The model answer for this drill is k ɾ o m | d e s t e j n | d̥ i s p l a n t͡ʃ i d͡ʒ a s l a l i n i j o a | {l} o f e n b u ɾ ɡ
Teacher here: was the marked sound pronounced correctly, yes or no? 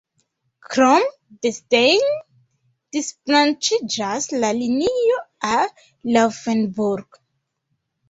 yes